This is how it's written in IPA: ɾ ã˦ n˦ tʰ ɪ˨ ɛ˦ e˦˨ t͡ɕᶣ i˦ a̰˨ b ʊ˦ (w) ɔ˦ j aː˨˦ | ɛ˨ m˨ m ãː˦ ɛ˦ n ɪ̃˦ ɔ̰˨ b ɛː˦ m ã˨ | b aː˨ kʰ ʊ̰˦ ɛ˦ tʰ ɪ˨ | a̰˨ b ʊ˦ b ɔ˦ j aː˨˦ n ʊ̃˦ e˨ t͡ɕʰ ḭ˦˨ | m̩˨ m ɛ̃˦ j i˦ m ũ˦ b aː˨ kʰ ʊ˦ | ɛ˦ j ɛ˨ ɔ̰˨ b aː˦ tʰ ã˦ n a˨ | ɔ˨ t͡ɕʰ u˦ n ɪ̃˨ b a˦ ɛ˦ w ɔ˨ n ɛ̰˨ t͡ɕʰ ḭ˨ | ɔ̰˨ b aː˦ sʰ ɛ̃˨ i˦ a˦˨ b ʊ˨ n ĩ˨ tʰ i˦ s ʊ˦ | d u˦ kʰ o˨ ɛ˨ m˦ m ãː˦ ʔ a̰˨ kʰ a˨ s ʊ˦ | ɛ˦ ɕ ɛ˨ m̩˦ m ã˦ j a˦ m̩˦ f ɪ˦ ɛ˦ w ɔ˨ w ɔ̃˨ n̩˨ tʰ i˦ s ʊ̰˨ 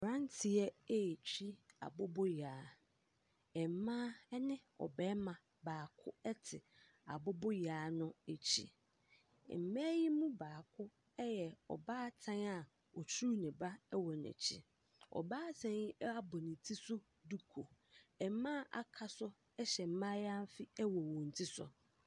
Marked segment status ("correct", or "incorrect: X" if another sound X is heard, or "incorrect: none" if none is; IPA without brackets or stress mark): incorrect: b